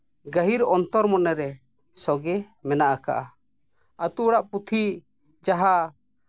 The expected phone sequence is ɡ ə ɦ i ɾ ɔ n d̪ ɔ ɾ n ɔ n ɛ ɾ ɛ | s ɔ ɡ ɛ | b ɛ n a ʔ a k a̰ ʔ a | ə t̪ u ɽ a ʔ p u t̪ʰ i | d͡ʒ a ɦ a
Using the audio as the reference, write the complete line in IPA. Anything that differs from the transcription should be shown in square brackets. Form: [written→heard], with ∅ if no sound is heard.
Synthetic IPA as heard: ɡ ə ɦ i ɾ ɔ n [d̪→t̪] ɔ ɾ [n→m] ɔ n ɛ ɾ ɛ | s ɔ ɡ ɛ | [b→m] ɛ n a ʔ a k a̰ ʔ a | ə t̪ u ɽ a ʔ p u t̪ʰ i | d͡ʒ a ɦ a